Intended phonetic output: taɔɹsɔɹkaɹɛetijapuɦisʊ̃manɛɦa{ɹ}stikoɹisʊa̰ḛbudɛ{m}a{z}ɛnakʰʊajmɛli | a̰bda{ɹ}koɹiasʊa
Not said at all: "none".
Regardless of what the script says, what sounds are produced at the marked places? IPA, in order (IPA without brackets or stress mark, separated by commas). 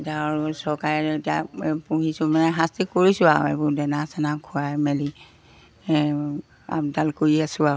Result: none, n, s, l